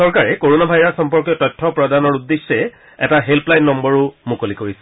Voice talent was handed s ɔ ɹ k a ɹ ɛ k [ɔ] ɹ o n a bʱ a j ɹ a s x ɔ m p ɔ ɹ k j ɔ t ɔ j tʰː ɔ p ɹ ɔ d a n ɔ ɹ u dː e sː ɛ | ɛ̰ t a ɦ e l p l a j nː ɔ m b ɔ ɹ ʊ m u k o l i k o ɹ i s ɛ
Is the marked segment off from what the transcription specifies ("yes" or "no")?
yes